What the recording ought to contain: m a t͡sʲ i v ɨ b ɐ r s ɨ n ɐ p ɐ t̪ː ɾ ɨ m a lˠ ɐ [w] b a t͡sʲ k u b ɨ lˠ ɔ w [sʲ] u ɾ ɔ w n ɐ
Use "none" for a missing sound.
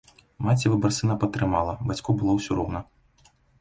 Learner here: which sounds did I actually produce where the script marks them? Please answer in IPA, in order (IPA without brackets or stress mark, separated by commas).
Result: none, sʲ